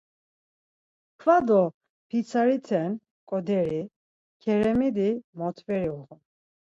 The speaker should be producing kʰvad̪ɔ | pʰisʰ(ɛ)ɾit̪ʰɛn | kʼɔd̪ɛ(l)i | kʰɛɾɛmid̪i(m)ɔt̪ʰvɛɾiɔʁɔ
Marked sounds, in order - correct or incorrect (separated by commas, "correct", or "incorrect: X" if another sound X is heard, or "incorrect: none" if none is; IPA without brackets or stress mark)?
incorrect: a, incorrect: ɾ, correct